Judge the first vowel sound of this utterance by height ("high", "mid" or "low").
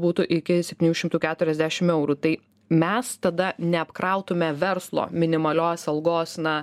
high